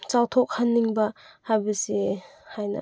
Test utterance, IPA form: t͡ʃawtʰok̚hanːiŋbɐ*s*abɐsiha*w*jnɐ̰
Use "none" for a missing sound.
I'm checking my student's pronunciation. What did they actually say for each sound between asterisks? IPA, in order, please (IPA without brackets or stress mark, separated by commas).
h, none